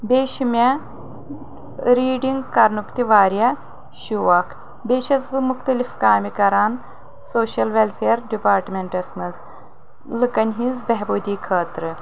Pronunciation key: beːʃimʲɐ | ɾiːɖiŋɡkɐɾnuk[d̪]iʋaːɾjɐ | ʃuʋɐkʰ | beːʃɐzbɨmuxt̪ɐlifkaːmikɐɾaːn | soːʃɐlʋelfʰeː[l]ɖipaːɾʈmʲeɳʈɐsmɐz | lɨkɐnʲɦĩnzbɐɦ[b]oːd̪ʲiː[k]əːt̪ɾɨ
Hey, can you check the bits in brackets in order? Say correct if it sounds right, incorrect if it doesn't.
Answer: incorrect: t̪, incorrect: ɾ, correct, incorrect: kʰ

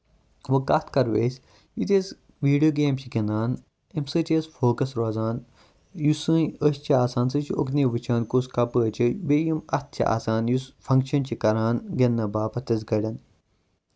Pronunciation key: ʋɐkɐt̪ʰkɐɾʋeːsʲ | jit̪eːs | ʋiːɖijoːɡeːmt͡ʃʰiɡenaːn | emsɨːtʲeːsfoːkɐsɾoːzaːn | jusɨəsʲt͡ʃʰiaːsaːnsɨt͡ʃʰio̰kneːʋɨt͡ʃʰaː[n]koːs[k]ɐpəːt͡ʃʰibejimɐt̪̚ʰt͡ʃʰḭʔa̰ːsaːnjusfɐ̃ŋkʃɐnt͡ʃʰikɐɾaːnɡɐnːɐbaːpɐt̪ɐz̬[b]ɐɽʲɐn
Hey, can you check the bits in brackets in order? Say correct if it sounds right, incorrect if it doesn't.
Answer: correct, correct, incorrect: ɡ

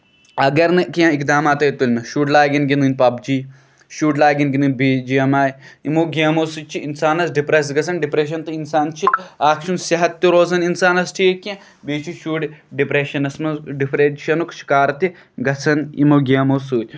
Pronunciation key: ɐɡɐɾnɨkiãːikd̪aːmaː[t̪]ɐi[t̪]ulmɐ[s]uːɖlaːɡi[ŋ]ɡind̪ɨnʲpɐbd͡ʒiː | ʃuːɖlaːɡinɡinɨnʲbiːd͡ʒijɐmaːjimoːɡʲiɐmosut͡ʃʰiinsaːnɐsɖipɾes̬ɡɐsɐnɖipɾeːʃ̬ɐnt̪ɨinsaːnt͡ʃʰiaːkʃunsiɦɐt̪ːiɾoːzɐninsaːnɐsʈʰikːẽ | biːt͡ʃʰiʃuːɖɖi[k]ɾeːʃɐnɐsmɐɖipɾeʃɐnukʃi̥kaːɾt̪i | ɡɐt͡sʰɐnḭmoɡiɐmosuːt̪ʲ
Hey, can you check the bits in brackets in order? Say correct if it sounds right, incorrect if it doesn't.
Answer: correct, correct, incorrect: ʃ, incorrect: n, incorrect: p

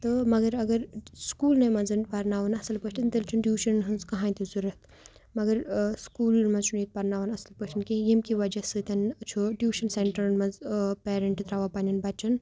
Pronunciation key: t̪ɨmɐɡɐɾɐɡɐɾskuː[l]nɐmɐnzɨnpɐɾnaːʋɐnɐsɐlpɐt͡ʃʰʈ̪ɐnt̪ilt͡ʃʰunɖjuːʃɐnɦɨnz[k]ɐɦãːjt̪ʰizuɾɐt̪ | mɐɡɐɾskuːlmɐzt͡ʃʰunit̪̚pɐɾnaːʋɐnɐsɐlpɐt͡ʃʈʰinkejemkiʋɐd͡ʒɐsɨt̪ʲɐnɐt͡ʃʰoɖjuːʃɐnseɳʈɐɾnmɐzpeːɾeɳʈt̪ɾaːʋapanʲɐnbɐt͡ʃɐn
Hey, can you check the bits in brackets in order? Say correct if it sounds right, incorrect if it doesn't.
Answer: correct, correct

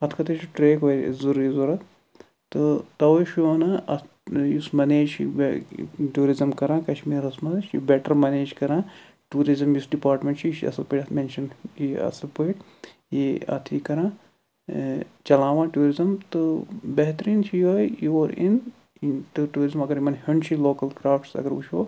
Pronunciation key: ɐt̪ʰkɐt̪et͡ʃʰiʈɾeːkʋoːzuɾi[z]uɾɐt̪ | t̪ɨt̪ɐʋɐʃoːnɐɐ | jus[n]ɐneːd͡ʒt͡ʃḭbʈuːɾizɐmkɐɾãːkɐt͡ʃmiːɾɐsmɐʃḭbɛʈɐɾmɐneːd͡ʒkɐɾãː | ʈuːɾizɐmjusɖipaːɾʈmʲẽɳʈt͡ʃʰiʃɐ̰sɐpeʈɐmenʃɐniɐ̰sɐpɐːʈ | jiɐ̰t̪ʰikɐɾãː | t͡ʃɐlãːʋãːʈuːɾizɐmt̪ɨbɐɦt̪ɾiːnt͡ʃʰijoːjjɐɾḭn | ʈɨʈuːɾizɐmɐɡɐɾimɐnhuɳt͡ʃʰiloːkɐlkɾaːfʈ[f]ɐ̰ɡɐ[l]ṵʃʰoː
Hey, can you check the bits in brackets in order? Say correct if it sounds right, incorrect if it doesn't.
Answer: correct, incorrect: m, incorrect: s, incorrect: ɾ

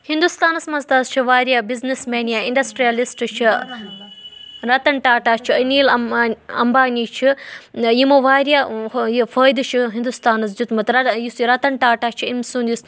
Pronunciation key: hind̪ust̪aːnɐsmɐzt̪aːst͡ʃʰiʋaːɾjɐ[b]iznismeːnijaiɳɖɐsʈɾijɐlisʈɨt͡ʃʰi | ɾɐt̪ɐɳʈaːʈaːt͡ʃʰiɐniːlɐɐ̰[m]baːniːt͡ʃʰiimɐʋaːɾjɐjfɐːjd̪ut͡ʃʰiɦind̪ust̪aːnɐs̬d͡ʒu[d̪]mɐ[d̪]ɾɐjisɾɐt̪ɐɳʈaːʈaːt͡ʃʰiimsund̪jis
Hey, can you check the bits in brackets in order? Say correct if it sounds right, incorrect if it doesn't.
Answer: correct, correct, incorrect: t̪, incorrect: t̪

